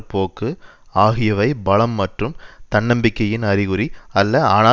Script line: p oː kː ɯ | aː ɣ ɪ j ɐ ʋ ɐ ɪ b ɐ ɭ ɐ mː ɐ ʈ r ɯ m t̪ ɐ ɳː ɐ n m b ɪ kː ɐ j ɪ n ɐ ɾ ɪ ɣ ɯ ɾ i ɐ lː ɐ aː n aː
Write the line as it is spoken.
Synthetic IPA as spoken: p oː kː ɯ | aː ɣ ɪ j ɐ ʋ ɐ ɪ b ɐ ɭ ɐ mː ɐ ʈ r ɯ m t̪ ɐ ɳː ɐ m b ɪ kː ɐ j ɪ n ɐ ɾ ɪ ɣ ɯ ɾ i ɐ lː ɐ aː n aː